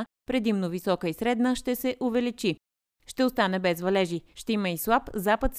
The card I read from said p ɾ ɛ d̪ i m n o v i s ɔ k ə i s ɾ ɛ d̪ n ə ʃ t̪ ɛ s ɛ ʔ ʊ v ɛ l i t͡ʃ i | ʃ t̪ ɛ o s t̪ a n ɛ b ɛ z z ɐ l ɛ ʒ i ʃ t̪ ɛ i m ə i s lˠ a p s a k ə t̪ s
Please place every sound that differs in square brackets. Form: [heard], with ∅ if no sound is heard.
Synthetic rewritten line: p ɾ ɛ d̪ i m n o v i s ɔ k ə i s ɾ ɛ d̪ n ə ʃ t̪ ɛ s ɛ ʔ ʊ v ɛ l i t͡ʃ i | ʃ t̪ ɛ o s t̪ a n ɛ b ɛ z [v] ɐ l ɛ ʒ i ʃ t̪ ɛ i m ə i s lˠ a p [z] a [p] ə t̪ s